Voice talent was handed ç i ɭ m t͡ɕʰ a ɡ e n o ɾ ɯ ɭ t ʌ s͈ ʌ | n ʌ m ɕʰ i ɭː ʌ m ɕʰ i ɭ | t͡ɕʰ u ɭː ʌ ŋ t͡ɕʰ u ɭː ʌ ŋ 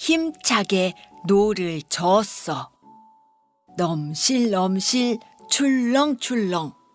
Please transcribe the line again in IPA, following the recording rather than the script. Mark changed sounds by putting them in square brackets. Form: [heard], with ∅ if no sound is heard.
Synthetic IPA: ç i [∅] m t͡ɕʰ a ɡ e n o ɾ ɯ ɭ [t͡ɕ] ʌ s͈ ʌ | n ʌ m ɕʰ i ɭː ʌ m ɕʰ i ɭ | t͡ɕʰ u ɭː ʌ ŋ t͡ɕʰ u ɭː ʌ ŋ